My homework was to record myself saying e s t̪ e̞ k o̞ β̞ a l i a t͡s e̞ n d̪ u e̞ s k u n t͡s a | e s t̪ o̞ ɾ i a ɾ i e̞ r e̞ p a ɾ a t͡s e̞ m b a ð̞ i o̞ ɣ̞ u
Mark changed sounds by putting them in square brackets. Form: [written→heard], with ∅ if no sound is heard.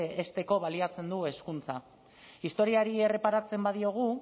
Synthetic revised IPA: e s t̪ e̞ k o̞ β̞ a l i a t͡s e̞ n d̪ u e̞ s k u n t͡s a | [e→i] s t̪ o̞ ɾ i a ɾ i e̞ r e̞ p a ɾ a t͡s e̞ m b a ð̞ i o̞ ɣ̞ u